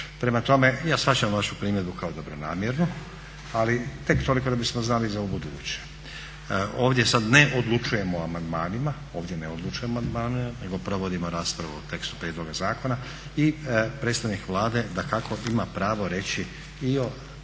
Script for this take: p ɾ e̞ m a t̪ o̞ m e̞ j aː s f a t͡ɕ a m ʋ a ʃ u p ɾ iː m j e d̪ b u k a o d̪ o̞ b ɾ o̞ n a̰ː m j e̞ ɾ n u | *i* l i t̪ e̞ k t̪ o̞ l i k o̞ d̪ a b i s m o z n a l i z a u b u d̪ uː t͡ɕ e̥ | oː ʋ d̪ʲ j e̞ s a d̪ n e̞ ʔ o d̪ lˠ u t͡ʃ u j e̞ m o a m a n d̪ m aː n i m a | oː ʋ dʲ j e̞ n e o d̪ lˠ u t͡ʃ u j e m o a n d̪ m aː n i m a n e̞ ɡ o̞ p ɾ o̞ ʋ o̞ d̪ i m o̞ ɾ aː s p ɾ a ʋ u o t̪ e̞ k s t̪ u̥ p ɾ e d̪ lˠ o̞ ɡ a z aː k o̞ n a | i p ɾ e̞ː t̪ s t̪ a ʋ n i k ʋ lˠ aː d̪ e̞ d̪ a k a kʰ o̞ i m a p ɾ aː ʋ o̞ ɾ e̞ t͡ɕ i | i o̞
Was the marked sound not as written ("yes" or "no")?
yes